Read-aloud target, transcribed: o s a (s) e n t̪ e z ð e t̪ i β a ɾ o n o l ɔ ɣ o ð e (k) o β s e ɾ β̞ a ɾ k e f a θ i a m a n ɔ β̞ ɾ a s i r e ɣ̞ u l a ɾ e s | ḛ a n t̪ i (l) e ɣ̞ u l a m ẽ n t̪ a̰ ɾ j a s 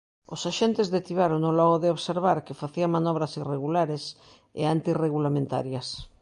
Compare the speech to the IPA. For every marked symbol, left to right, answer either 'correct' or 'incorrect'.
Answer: incorrect, incorrect, incorrect

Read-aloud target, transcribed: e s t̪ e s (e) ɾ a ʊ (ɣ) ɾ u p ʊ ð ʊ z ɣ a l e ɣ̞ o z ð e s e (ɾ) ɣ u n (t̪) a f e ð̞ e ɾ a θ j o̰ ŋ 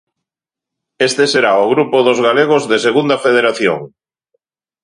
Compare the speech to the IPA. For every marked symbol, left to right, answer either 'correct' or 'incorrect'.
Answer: correct, correct, incorrect, incorrect

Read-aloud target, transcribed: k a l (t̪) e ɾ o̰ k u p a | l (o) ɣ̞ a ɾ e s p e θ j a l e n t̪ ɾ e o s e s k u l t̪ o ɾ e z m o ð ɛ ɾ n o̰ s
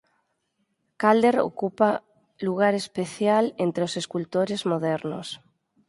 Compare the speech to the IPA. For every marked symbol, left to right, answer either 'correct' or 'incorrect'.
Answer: incorrect, incorrect

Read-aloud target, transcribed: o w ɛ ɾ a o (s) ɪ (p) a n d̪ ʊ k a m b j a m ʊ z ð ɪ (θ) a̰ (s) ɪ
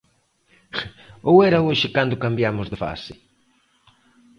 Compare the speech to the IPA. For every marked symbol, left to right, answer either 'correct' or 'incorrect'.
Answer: incorrect, incorrect, incorrect, correct

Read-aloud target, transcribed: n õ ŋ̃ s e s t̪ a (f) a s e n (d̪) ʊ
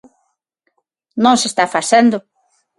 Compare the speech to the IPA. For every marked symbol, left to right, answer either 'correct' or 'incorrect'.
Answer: correct, correct

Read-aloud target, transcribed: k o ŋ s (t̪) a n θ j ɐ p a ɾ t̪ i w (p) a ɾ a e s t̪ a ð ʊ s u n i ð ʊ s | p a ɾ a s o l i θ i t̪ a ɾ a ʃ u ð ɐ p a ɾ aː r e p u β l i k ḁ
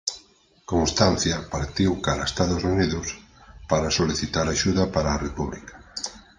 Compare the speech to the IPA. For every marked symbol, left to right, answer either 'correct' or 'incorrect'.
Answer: correct, incorrect

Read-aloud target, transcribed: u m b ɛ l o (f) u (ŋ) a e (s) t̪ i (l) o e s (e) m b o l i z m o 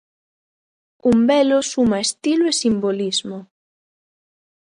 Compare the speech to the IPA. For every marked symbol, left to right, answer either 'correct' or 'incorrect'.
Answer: incorrect, incorrect, correct, correct, incorrect

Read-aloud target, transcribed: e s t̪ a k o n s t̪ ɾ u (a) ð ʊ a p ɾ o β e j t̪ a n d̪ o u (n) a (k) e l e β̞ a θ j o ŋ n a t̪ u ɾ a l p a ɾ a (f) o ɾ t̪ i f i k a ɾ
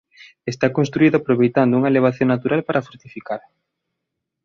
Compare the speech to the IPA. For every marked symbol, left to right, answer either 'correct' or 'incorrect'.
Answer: incorrect, incorrect, incorrect, correct

